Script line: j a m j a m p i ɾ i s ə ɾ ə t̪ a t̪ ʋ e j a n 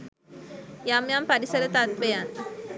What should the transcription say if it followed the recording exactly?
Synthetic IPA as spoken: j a m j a m p a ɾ i s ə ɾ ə t̪ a t̪ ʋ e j a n